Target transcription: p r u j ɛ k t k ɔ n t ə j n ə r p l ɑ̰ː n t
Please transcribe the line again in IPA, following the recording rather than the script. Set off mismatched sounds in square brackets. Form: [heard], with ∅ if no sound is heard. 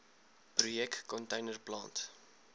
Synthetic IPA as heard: p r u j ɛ k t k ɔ n t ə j n ə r p l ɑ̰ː n t